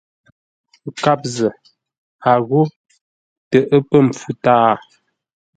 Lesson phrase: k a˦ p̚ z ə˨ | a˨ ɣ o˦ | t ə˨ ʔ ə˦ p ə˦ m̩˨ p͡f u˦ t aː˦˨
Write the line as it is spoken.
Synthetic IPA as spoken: k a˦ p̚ z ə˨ | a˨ ɣ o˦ | t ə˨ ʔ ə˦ p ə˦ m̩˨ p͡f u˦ t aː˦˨